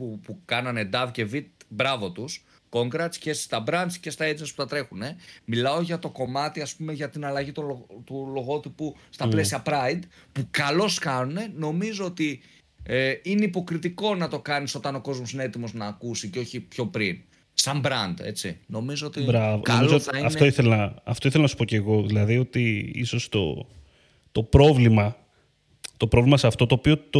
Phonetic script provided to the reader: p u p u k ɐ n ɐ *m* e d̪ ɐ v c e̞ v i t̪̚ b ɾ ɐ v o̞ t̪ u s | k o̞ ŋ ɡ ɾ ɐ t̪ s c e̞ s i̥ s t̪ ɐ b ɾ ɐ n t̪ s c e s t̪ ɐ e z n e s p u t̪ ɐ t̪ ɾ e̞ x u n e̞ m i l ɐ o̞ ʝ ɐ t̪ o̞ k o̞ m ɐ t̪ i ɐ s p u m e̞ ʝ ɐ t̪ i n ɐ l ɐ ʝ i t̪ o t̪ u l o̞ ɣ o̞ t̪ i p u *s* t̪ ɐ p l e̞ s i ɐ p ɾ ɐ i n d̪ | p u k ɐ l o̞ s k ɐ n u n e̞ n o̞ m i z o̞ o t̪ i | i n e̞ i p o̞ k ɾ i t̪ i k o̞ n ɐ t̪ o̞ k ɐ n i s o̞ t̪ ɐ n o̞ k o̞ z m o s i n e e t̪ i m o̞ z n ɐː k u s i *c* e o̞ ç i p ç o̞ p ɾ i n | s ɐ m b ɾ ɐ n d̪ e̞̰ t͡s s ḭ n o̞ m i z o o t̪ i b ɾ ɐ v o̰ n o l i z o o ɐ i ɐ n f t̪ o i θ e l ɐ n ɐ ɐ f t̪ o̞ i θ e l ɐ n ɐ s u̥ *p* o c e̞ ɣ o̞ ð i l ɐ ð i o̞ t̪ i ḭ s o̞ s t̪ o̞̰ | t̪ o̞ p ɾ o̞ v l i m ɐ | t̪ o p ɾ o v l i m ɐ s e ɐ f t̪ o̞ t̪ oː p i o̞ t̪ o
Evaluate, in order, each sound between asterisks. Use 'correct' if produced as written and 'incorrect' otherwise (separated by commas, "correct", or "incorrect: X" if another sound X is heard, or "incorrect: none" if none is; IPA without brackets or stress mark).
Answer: incorrect: n, correct, correct, correct